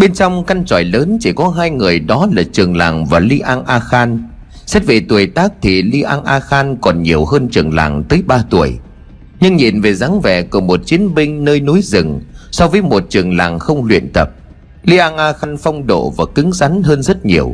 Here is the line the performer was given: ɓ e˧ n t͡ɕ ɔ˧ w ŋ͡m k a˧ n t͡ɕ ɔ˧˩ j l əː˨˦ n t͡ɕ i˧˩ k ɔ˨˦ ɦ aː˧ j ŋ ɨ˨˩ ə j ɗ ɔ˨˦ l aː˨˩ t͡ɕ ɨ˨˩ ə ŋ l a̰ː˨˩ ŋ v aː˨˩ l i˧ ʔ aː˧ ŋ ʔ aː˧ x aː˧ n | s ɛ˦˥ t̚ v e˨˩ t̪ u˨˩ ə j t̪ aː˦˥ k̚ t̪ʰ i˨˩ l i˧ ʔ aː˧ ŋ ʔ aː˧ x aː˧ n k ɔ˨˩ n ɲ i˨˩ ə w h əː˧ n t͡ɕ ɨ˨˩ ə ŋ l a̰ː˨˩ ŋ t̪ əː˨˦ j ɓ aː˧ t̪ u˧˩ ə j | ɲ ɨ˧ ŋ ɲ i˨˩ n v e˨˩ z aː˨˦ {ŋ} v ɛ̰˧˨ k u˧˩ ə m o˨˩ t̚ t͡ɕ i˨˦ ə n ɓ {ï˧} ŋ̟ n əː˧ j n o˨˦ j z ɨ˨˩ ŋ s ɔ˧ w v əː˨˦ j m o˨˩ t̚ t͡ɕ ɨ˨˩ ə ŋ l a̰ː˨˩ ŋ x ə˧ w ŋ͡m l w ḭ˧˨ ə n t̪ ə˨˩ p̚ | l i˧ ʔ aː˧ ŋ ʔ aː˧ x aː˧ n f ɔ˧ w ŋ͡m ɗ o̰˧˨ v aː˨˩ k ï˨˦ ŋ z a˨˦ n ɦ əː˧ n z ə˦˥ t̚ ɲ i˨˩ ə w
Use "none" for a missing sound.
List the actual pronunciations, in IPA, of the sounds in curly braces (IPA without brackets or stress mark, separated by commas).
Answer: ŋ, ï˧